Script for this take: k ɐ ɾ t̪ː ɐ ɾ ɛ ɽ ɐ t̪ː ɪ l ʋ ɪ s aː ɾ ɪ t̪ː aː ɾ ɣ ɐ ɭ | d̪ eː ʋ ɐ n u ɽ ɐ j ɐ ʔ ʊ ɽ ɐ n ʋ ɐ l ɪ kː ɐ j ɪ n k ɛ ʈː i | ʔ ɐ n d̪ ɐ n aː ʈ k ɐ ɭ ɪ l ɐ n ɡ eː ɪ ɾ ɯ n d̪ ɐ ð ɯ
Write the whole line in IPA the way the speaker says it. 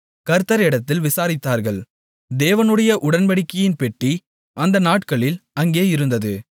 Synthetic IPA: k ɐ ɾ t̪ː ɐ ɾ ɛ ɽ ɐ t̪ː ɪ l ʋ ɪ s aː ɾ ɪ t̪ː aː ɾ ɣ ɐ ɭ | d̪ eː ʋ ɐ n ɯ ɽ ɐ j ɐ ʔ ʊ ɽ ɐ n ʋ ɐ ɽ ɪ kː ɐ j ɪ n p ɛ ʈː i | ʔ ɐ n d̪ ɐ n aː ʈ k ɐ ɭ ɪ l ɐ ŋ ɡ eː ɪ ɾ ɯ n d̪ ɐ ð ɯ